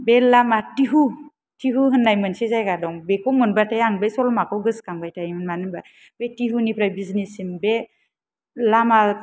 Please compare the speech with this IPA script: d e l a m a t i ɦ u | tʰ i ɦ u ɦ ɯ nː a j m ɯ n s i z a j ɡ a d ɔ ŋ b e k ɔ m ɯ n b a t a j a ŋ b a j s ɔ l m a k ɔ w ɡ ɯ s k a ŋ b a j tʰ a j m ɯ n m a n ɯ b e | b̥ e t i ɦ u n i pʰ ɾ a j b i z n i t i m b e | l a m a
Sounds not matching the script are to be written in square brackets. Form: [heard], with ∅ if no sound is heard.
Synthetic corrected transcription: [b] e l a m a t i ɦ u | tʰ i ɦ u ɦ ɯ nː a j m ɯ n s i z a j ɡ a d ɔ ŋ b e k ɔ m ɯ n b a t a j a ŋ b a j s ɔ l m a k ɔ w ɡ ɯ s k a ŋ b a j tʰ a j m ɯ n m a n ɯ b [a] | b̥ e t i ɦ u n i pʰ ɾ a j b i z n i [s] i m b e | l a m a